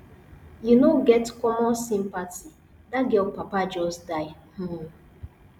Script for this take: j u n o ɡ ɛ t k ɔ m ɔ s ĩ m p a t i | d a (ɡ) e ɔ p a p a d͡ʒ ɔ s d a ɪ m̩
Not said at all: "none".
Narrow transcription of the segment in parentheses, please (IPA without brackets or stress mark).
ɡ